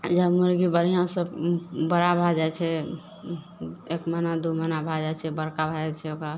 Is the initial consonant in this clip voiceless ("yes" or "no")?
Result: no